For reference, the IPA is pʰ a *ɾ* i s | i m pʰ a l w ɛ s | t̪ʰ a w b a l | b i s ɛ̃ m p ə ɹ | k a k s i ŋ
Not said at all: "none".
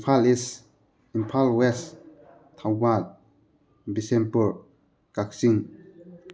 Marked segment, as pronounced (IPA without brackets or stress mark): l